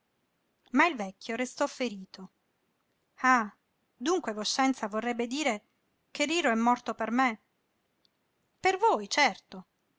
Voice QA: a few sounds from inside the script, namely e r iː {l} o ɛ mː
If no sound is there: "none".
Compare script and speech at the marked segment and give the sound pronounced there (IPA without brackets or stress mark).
ɾ